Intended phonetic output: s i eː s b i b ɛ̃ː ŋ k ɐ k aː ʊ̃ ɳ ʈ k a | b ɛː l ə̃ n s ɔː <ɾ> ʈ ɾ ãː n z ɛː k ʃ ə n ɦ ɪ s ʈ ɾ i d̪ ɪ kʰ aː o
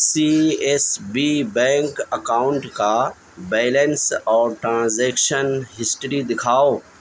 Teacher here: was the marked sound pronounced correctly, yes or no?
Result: yes